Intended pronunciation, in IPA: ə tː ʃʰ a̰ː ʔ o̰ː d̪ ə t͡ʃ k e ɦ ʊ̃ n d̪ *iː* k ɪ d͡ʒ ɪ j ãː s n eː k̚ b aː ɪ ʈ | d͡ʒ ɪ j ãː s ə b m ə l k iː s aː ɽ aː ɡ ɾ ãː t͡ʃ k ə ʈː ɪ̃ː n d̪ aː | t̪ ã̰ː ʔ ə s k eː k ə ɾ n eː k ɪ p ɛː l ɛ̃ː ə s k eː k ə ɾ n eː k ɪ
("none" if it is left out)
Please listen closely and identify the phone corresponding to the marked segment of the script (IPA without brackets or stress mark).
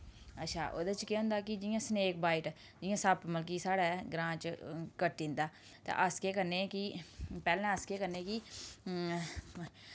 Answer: aː